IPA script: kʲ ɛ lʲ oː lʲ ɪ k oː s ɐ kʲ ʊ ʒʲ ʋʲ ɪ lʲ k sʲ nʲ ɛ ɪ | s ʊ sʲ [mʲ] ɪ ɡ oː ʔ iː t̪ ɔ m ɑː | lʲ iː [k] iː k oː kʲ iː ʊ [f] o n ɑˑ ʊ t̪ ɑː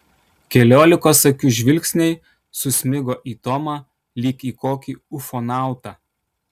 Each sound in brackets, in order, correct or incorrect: correct, correct, correct

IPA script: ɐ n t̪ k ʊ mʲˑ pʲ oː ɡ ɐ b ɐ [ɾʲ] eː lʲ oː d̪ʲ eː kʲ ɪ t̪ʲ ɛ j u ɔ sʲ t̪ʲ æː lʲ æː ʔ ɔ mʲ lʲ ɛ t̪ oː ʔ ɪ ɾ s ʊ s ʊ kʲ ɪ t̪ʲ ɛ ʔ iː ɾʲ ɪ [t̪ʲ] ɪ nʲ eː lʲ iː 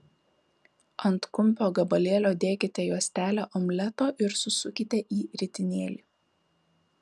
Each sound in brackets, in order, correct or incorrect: incorrect, correct

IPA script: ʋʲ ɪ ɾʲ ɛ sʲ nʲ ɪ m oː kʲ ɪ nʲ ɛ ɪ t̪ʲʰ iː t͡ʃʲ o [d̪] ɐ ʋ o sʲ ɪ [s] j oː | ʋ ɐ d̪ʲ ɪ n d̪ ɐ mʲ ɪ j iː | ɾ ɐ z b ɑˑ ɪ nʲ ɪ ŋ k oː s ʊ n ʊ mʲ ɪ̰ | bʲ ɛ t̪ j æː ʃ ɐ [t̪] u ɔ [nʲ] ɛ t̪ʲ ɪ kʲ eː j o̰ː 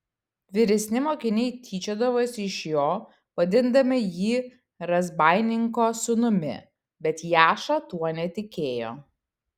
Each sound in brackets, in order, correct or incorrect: correct, incorrect, correct, correct

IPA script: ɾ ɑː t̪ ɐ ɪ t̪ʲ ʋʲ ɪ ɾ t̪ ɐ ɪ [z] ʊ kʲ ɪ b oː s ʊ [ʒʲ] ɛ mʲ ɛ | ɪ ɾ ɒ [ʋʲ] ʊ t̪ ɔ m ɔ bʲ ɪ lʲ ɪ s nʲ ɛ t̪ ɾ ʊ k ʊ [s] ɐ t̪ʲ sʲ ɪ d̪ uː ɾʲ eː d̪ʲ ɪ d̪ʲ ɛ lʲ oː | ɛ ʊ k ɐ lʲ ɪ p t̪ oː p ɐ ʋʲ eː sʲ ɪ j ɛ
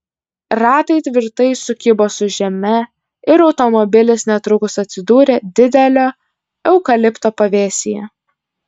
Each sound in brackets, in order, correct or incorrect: incorrect, correct, incorrect, correct

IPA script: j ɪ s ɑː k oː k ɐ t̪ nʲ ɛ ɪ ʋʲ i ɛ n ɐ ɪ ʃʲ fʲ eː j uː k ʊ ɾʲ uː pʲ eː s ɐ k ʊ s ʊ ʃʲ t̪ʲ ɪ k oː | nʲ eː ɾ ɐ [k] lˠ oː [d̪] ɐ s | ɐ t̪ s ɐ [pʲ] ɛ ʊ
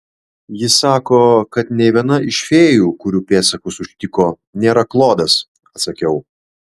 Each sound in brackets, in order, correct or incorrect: correct, correct, incorrect

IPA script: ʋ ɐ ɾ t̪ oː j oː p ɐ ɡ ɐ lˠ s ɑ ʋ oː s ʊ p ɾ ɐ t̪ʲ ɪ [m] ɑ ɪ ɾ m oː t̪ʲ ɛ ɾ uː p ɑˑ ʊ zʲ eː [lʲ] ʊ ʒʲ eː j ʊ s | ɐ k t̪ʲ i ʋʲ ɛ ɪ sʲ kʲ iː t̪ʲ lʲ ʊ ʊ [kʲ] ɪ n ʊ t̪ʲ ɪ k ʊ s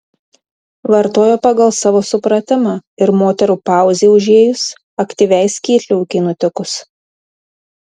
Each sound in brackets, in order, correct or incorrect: correct, incorrect, correct

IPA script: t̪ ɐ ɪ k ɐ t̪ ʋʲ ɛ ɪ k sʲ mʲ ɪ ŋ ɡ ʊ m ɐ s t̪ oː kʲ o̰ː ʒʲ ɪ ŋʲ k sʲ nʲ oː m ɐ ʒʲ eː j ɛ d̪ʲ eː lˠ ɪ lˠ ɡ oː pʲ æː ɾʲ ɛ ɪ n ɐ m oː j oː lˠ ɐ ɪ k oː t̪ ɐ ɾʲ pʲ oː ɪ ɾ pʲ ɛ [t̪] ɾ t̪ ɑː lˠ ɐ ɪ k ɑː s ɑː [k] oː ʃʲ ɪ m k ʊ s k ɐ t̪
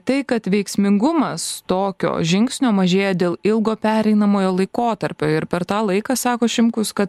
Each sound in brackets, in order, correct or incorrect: incorrect, correct

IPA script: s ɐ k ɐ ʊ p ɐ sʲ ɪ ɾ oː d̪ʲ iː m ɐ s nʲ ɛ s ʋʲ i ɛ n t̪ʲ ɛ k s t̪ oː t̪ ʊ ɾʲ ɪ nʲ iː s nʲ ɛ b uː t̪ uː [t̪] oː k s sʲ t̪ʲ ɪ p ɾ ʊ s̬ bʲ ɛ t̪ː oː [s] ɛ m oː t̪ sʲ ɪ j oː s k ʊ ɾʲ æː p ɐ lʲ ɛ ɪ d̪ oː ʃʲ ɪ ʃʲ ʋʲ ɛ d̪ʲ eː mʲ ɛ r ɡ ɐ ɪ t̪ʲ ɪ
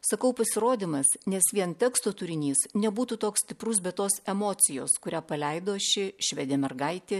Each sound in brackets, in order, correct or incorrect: correct, correct

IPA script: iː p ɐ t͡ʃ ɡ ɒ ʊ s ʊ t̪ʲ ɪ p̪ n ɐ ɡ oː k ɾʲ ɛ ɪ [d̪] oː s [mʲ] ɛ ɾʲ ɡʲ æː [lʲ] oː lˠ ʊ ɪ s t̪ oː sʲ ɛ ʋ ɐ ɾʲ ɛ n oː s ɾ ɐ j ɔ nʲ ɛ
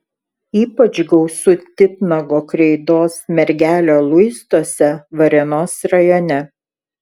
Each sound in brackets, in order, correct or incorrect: correct, correct, correct

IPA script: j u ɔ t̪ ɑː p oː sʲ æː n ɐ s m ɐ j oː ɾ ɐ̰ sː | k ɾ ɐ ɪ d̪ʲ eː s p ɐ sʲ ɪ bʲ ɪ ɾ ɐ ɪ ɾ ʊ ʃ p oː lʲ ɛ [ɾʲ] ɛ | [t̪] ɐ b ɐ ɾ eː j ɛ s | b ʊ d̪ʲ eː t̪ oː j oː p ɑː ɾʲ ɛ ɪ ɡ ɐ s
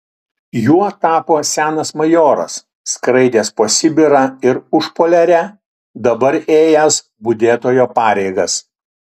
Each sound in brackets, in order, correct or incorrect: correct, incorrect

